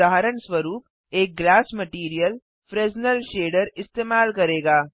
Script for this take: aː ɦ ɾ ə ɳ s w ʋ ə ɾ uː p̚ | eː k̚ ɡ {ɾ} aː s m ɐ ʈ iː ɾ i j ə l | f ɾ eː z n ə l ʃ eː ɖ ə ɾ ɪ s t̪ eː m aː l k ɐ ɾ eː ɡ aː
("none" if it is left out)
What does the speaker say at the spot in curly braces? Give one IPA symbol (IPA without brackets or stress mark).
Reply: l